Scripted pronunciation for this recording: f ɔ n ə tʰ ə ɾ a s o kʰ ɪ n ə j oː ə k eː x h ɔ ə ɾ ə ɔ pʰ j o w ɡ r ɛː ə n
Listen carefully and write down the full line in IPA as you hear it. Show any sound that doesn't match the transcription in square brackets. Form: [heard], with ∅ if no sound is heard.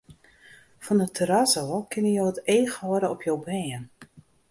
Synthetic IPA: f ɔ n ə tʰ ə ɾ a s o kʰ ɪ n ə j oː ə [t] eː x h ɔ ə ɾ ə ɔ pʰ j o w [b] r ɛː ə n